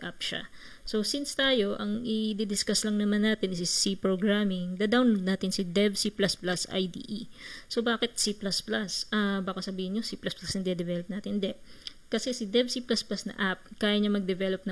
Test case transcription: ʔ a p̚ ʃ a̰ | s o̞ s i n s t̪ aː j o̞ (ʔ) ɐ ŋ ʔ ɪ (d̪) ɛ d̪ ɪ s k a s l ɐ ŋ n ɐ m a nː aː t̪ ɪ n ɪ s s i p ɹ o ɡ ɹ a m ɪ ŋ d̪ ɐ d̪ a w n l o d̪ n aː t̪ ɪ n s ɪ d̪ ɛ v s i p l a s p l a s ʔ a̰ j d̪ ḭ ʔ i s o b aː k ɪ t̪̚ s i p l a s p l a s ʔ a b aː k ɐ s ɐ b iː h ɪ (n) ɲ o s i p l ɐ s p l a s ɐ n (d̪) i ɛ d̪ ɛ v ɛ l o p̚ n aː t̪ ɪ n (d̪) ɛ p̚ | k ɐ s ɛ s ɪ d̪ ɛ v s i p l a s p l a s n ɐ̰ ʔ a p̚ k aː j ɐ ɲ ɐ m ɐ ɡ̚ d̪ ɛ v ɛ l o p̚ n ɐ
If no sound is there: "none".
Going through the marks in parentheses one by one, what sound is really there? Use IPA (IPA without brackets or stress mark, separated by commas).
ʔ, d̪, n, d̪, d̪